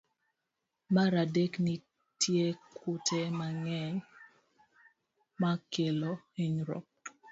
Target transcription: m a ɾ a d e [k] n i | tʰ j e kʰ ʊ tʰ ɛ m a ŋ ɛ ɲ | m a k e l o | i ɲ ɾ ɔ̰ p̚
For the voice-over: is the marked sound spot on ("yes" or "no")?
yes